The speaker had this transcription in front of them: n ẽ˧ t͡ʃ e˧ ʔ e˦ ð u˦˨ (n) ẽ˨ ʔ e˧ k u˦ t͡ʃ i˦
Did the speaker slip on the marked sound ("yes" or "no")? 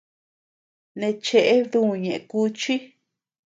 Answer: yes